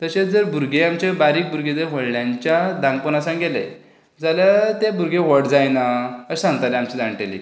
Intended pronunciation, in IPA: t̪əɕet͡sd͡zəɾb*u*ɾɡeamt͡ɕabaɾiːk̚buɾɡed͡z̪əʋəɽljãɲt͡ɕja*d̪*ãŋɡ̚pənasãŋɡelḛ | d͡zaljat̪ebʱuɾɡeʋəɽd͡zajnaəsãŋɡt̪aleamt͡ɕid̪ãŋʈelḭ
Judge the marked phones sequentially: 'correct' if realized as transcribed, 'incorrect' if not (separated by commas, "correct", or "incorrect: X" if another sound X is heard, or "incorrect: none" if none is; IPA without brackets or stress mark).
correct, correct